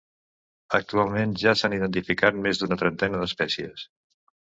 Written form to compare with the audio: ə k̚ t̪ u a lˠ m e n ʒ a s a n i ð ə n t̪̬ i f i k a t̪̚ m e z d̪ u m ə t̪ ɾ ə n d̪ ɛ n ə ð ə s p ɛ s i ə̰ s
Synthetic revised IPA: ə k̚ t̪ u a lˠ m e n ʒ a s a n i ð ə n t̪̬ i f i k a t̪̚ m e z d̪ u n ə t̪ ɾ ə n t̪ ɛ n ə ð ə s p ɛ s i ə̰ s